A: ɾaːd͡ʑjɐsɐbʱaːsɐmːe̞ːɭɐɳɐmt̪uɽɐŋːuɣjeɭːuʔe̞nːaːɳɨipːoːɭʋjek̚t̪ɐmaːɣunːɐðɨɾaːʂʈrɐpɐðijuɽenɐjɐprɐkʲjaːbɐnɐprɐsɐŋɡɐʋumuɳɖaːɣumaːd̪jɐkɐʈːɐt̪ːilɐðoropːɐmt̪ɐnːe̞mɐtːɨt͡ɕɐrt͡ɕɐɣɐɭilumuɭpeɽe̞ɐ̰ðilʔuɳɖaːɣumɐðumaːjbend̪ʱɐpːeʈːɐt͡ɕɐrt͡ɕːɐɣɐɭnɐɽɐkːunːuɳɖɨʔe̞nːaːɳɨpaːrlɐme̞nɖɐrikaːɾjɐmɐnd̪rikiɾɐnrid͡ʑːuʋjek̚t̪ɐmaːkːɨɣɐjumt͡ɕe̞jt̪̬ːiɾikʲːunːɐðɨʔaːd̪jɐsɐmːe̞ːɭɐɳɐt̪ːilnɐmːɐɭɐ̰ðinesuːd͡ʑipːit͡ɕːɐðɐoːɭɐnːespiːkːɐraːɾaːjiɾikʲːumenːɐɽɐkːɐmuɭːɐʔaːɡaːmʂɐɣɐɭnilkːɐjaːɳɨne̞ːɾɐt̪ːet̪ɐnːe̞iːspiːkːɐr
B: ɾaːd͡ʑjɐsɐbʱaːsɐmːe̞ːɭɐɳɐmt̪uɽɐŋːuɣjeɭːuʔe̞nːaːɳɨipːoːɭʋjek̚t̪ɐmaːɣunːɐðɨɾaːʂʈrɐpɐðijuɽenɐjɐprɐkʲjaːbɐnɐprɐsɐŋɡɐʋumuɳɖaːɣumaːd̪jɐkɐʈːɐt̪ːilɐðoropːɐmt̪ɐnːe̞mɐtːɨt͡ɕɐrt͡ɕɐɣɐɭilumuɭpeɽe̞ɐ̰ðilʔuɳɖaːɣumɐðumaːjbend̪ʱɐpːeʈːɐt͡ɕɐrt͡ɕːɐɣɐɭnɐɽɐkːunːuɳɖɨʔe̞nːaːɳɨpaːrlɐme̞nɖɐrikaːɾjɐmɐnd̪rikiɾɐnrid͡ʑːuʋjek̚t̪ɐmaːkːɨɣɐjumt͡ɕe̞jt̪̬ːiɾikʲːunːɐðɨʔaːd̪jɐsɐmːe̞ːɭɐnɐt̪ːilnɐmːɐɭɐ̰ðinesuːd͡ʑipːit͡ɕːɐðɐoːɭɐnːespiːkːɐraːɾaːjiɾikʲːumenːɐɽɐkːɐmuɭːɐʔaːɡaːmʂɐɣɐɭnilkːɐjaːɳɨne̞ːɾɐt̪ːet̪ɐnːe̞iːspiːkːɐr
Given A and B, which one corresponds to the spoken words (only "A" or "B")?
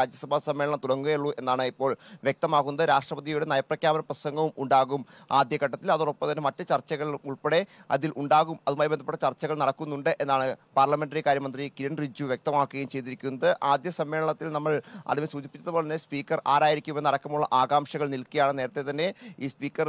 A